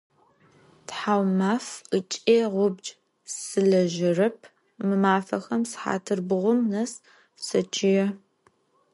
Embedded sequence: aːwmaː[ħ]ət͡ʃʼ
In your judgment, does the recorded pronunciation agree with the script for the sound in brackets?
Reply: no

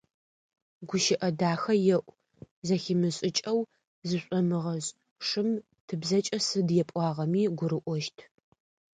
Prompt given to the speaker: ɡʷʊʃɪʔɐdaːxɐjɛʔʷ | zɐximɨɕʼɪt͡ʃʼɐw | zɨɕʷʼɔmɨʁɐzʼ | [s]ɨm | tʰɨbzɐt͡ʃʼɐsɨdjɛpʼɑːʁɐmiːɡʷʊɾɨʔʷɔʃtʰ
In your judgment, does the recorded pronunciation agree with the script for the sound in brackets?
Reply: no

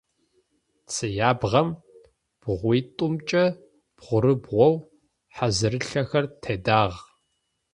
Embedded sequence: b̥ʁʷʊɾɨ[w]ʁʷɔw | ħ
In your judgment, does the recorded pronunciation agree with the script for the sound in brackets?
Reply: no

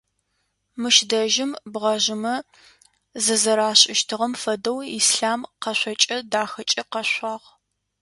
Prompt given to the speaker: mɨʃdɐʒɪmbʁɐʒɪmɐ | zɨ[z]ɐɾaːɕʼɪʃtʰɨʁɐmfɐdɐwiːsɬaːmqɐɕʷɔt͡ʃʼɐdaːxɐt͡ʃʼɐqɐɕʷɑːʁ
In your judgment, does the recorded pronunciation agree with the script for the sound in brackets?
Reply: yes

